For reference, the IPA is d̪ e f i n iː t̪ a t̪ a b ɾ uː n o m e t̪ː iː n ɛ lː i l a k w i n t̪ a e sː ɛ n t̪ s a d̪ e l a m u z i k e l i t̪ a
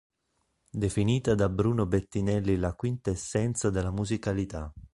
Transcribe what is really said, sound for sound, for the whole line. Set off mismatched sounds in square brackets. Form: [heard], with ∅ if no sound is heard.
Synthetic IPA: d̪ e f i n iː t̪ a [d̪] a b ɾ uː n o [b] e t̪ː [i] n ɛ lː i l a k w i n t̪ a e sː ɛ n t̪ s a d̪ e l a m u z i k [a] l i t̪ a